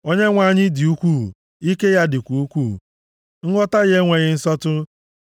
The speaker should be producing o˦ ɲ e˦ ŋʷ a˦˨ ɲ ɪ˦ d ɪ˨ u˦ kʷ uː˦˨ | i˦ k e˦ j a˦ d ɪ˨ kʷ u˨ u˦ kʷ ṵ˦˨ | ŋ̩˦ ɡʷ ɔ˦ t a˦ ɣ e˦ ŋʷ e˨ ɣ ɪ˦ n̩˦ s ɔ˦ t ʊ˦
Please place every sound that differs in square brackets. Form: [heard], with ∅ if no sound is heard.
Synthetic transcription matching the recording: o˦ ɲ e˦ ŋʷ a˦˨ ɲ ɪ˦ d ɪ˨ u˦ kʷ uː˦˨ | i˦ k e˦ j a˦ d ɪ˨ kʷ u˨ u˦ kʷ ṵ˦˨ | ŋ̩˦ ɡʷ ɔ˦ t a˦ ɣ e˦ ŋʷ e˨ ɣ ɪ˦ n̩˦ s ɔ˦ t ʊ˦